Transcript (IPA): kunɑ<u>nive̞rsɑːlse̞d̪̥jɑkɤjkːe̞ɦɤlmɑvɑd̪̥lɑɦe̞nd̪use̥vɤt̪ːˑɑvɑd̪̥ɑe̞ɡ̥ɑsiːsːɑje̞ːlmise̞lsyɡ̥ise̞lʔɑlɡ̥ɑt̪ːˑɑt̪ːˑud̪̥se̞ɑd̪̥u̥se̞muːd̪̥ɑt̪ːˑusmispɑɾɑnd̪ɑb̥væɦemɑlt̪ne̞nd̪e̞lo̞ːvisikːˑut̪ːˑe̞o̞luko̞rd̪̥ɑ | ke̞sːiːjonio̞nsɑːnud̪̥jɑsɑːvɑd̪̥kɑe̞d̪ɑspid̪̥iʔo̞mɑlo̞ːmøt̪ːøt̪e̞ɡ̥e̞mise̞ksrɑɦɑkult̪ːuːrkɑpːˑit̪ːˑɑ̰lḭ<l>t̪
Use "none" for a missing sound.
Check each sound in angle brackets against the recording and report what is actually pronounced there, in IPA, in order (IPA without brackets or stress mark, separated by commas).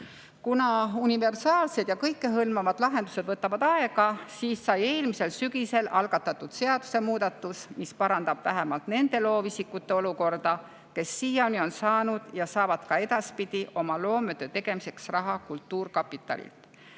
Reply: u, l